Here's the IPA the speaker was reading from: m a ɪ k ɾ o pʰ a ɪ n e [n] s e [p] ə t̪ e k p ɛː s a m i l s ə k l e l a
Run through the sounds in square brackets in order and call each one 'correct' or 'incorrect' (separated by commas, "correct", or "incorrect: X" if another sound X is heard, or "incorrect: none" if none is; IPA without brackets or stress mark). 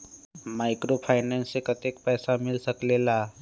correct, incorrect: k